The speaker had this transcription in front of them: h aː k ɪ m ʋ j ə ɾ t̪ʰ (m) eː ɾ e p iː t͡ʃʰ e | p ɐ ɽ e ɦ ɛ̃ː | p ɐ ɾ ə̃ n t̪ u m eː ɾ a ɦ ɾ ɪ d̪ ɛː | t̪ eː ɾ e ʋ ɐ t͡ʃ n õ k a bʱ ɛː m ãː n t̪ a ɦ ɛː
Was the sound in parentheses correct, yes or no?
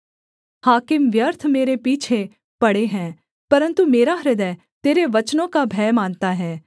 yes